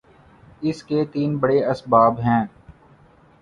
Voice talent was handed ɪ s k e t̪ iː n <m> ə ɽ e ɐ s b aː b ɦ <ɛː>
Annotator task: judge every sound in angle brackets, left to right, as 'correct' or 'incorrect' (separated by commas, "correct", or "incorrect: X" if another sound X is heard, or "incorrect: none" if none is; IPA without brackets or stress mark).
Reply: incorrect: b, incorrect: ɛ̃ː